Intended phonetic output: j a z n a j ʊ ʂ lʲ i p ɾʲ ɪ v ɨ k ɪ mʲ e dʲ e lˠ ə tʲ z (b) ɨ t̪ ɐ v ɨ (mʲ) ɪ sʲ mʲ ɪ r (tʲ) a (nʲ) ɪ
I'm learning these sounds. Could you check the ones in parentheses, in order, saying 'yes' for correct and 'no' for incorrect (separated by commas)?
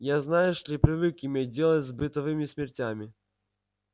yes, yes, yes, no